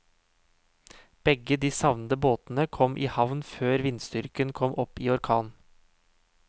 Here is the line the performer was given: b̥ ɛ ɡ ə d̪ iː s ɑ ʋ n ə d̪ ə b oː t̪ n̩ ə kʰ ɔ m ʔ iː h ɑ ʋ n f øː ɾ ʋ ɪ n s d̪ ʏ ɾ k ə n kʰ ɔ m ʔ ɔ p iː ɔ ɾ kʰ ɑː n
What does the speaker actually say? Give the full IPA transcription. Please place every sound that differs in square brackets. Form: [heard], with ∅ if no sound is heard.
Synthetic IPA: b̥ ɛ ɡ ə d̪ iː s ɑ ʋ n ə d̪ ə b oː t̪ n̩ ə kʰ ɔ m ʔ iː h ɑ ʋ n f øː ɾ ʋ ɪ n s [t̪] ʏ ɾ k ə n kʰ ɔ m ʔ ɔ p iː ɔ ɾ kʰ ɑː n